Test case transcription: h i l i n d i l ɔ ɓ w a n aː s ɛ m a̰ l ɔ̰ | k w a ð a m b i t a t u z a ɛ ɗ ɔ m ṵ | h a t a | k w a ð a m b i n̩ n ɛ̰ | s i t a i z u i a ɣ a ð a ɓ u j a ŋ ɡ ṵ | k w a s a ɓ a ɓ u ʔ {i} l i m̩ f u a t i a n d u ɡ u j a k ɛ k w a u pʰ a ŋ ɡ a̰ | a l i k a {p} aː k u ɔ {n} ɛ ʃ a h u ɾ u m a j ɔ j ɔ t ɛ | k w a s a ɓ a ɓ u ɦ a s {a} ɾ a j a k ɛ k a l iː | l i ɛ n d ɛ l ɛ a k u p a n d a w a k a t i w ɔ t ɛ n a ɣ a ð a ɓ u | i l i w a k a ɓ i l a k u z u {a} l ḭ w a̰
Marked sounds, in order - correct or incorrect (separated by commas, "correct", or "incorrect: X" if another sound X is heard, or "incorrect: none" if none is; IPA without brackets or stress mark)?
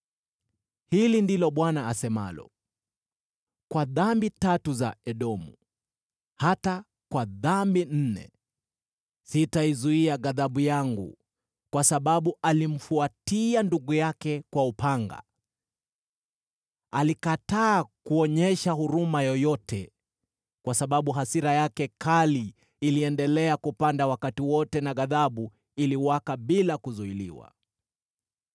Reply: incorrect: a, incorrect: t, incorrect: ɲ, incorrect: i, incorrect: i